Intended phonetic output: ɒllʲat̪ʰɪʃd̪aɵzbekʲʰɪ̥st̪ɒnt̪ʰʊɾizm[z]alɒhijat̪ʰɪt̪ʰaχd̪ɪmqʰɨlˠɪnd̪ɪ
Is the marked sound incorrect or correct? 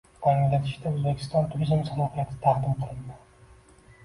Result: incorrect